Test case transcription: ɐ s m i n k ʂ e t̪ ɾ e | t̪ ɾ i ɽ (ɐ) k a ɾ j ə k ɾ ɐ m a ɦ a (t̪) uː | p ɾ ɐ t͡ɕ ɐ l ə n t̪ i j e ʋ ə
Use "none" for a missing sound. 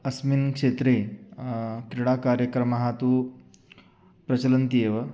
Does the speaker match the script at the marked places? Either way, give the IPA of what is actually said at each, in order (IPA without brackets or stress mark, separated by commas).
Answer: a, t̪